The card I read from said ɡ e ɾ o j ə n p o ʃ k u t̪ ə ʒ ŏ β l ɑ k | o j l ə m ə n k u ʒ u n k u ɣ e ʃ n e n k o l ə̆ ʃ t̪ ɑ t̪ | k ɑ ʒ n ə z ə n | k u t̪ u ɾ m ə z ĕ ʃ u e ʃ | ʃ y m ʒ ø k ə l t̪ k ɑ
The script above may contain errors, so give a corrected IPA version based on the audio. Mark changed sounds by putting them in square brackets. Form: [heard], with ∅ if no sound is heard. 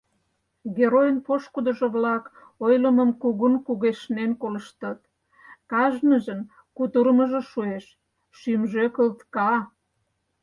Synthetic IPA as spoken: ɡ e ɾ o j ə n p o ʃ k u [d̪] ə ʒ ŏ β l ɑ k | o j l ə m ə [m] k u [ɣ] u n k u ɣ e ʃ n e n k o l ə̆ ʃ t̪ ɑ t̪ | k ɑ ʒ n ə [ʒ] ə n | k u t̪ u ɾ m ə [ʒ] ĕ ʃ u e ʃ | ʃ y m ʒ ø k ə l t̪ k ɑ